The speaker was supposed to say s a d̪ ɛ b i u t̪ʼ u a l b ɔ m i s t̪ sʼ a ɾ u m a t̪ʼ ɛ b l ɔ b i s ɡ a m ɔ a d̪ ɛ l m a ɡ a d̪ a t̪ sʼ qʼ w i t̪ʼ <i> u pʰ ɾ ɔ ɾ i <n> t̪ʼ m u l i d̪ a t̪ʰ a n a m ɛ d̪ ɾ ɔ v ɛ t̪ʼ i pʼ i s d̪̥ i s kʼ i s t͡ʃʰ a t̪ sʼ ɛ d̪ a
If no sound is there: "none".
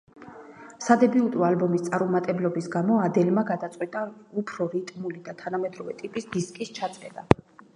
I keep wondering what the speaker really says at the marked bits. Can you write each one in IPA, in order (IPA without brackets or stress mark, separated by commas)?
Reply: a, none